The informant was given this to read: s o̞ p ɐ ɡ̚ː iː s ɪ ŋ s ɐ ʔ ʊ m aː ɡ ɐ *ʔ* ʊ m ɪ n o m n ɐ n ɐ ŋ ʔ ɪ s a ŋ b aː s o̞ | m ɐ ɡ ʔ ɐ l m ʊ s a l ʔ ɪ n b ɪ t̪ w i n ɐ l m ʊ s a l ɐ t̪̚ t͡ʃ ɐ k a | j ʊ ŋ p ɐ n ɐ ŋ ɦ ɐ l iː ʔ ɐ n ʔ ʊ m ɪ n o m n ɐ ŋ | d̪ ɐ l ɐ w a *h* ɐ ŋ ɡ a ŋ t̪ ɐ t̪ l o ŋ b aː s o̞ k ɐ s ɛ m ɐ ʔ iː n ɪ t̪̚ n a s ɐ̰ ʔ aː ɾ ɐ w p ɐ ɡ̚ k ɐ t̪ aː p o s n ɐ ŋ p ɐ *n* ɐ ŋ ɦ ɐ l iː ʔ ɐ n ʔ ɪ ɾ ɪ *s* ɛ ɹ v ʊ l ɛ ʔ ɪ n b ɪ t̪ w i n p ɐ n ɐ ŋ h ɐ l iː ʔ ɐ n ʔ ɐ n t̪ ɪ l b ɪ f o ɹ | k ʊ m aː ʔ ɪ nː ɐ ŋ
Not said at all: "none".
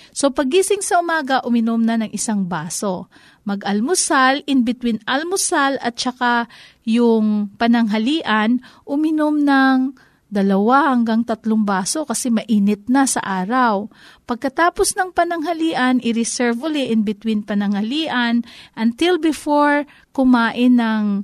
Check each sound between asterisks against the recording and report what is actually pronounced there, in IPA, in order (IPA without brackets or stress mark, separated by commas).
ʔ, h, n, s